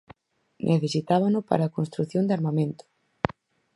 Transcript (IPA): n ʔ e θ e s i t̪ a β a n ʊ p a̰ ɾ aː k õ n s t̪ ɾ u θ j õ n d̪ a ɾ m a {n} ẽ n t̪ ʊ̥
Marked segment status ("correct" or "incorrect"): incorrect